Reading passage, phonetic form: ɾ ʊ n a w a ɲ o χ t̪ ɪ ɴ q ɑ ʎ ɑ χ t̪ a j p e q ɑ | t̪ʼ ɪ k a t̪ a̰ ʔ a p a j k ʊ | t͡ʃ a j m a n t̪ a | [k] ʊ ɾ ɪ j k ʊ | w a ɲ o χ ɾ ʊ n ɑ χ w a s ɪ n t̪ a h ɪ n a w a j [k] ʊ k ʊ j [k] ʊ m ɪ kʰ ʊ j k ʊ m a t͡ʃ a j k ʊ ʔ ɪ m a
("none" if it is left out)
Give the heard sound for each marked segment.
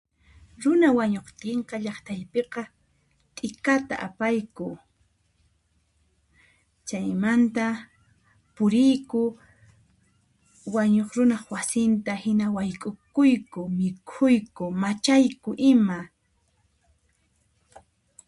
p, kʼ, k

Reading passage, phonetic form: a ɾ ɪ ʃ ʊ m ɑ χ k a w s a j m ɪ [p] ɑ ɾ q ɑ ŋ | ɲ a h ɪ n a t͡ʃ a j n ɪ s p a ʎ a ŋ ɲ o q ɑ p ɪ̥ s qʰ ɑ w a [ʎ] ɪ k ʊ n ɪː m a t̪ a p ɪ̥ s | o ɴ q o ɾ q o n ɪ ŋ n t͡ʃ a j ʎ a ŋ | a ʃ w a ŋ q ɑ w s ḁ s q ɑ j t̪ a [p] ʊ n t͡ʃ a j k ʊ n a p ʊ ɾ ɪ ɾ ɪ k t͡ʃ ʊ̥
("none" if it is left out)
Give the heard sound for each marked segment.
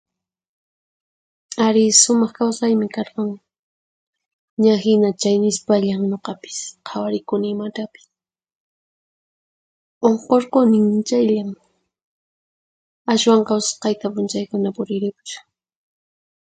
k, ɾ, p

